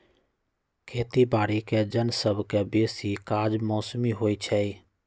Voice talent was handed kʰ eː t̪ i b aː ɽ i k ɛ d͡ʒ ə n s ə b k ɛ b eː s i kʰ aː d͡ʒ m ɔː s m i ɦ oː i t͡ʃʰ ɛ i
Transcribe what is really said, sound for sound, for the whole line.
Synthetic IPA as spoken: kʰ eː t̪ i b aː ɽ i k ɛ d͡ʒ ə n s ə b k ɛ b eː s i k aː d͡ʒ m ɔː s m i ɦ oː i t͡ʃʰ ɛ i